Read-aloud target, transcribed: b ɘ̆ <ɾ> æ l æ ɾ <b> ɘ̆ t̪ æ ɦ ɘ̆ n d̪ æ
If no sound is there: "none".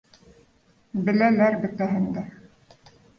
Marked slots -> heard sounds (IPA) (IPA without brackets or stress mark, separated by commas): l, b